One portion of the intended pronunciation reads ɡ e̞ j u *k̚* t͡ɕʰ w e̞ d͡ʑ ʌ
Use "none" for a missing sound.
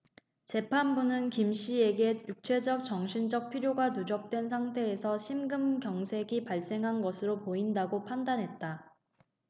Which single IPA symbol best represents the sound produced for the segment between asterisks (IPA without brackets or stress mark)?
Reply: k̚